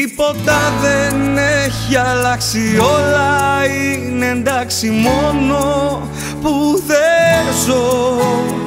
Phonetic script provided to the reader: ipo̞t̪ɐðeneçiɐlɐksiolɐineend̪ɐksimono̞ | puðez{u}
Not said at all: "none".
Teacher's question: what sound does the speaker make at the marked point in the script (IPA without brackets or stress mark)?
o